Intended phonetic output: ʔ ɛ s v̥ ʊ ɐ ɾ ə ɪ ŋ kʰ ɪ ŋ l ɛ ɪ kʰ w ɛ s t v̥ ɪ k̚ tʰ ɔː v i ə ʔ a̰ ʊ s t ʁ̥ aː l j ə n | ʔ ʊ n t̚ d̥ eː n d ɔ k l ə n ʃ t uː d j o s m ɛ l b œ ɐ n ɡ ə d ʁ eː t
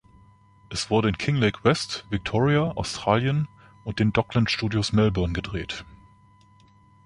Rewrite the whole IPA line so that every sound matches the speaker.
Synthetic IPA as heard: ʔ ɛ s v̥ ʊ ɐ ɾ ə ɪ n kʰ ɪ ŋ l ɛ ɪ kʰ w ɛ s t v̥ ɪ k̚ tʰ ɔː ʁ i a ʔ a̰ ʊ s t ʁ̥ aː l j ə n | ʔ ʊ n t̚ d̥ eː n d ɔ k l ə n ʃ t uː d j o s m ɛ l b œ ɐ n ɡ ə d ʁ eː t